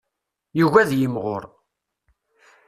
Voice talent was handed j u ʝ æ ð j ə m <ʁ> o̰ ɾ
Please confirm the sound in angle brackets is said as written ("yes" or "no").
yes